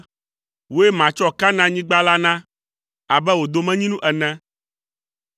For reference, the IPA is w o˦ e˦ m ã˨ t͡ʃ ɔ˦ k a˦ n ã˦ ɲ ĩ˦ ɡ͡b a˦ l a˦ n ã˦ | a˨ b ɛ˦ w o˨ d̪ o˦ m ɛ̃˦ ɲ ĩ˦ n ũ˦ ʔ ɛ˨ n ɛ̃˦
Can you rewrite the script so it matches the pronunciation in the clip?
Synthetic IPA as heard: w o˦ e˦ m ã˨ t͡ʃ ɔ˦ k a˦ n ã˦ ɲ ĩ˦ ɡ͡b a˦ l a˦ n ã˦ | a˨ b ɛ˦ w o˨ d̪ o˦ m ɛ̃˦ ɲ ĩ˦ n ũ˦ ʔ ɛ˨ n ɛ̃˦